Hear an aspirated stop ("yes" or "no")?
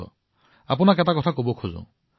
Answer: yes